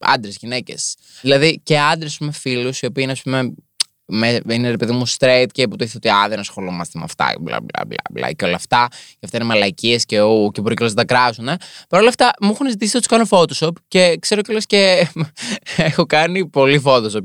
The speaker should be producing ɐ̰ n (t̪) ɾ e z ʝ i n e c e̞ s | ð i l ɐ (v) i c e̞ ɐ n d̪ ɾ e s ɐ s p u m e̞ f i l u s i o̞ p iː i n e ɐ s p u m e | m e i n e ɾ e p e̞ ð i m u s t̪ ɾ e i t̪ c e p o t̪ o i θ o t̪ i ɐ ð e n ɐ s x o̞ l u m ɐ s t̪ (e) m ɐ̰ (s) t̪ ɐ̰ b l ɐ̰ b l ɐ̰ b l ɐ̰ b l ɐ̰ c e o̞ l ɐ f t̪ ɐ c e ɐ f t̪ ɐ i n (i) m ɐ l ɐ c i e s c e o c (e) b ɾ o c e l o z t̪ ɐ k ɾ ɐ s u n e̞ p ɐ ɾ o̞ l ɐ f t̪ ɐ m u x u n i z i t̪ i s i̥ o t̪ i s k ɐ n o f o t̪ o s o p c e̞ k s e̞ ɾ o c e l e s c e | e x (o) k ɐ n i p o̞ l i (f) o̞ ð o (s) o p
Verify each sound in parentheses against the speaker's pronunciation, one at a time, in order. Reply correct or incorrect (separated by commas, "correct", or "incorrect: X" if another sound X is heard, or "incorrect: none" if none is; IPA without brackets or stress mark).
incorrect: d̪, incorrect: ð, correct, incorrect: f, incorrect: e, correct, correct, correct, correct